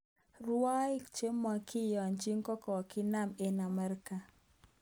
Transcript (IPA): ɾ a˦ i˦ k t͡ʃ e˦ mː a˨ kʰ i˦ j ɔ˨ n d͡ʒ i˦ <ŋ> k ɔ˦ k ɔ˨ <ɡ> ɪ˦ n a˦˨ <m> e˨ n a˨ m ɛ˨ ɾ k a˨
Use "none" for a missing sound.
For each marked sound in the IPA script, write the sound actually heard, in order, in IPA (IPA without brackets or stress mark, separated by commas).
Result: ŋ, k, m